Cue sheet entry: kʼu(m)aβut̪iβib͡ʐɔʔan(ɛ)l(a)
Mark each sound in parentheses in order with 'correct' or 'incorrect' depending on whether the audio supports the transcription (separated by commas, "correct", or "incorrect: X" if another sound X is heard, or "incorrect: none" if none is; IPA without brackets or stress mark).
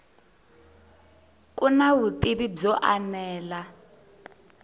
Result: incorrect: n, incorrect: ɛː, correct